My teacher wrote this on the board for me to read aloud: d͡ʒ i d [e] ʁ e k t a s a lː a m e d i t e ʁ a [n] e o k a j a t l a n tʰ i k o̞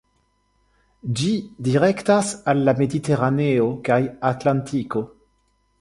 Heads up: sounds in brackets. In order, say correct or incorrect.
incorrect: i, correct

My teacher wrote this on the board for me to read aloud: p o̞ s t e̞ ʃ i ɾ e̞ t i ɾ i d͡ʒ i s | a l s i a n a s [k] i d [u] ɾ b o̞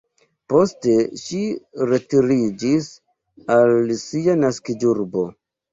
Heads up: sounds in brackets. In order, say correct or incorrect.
correct, correct

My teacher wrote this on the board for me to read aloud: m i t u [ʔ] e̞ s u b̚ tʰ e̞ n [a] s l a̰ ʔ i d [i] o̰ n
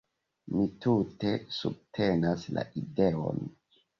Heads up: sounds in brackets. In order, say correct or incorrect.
incorrect: t, correct, incorrect: e

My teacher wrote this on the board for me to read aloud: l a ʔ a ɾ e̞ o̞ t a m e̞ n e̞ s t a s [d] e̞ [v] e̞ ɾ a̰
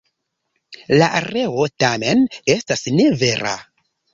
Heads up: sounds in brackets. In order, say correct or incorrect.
incorrect: n, correct

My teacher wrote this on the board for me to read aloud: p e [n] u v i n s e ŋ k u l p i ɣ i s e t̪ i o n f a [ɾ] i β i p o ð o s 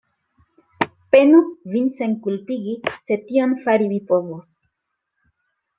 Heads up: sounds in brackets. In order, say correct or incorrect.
correct, correct

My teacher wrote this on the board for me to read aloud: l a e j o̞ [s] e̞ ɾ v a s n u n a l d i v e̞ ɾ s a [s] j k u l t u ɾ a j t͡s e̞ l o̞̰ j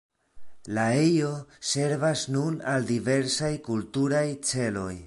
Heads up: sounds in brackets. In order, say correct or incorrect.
correct, incorrect: none

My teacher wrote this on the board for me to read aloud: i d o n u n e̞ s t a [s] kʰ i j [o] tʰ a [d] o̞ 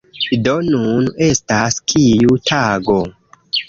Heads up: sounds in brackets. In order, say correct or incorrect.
correct, incorrect: u, incorrect: ɡ

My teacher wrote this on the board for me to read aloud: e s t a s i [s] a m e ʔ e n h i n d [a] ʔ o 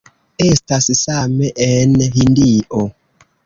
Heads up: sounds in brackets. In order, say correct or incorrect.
correct, incorrect: i

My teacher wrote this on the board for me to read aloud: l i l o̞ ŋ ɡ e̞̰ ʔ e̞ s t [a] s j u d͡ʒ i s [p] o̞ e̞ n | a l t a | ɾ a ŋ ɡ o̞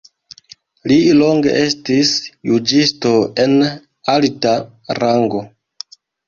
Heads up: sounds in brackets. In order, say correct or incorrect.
incorrect: i, incorrect: t

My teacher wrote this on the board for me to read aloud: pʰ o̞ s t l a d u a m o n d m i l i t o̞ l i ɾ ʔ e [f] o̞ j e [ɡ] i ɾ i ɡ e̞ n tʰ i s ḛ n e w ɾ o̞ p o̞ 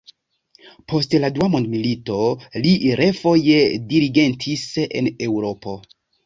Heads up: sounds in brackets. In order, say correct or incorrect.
correct, incorrect: d

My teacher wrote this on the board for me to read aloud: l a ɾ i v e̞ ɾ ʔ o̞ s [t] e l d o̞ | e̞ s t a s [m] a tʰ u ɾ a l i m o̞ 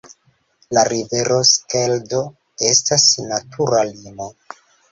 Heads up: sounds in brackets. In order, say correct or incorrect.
incorrect: k, incorrect: n

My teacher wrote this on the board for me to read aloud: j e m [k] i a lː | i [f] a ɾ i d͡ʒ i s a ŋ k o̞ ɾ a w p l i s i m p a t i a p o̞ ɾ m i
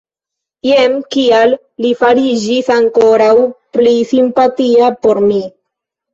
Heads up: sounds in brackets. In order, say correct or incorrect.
correct, correct

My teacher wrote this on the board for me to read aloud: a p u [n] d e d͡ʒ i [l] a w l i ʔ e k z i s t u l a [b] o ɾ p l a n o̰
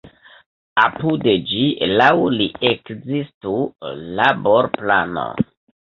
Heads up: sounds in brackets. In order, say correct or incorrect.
incorrect: none, correct, correct

